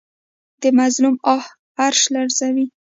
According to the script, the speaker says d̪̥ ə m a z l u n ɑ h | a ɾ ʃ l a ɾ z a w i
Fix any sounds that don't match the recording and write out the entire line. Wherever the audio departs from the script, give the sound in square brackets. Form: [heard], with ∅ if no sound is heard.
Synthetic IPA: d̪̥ ə m a z l u [m] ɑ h | a ɾ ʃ l a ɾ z a w i